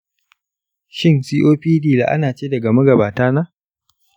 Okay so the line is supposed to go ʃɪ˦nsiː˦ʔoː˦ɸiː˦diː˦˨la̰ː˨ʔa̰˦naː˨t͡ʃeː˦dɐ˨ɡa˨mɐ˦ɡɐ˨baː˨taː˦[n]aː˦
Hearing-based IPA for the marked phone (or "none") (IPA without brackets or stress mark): n